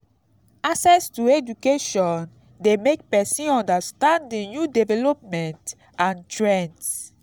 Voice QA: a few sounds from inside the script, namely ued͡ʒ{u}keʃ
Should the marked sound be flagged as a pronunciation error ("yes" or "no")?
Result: no